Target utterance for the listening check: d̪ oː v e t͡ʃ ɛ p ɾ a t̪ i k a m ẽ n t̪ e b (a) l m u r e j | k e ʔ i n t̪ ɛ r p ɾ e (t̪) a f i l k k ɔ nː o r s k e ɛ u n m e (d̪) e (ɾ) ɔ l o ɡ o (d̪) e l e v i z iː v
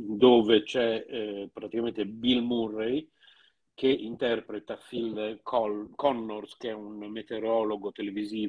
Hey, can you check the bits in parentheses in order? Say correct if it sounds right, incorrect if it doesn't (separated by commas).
incorrect, correct, incorrect, correct, incorrect